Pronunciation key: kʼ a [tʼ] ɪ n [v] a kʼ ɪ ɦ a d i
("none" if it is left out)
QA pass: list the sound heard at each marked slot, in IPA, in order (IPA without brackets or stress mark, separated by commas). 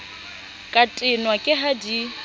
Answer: tʼ, w